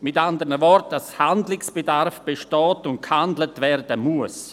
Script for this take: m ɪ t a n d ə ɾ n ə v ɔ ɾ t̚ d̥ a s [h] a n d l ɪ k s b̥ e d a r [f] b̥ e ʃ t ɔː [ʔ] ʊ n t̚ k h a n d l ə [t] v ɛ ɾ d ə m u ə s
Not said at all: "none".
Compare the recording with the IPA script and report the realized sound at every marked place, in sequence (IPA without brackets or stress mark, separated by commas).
h, f, t, t